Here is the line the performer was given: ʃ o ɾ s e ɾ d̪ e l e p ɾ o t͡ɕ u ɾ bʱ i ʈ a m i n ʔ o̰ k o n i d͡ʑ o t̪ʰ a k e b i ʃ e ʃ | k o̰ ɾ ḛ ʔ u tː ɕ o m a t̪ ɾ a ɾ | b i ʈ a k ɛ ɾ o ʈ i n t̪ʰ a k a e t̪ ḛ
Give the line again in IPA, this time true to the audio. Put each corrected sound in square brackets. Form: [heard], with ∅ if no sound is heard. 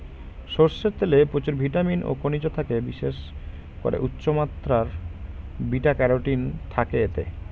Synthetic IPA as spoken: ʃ o ɾ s e ɾ [t̪] e l e p ɾ o t͡ɕ u ɾ bʱ i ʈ a m i n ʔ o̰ k o n i d͡ʑ o t̪ʰ a k e b i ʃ e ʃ | k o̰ ɾ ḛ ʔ u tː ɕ o m a t̪ ɾ a ɾ | b i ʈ a k ɛ ɾ o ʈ i n t̪ʰ a k [e] e t̪ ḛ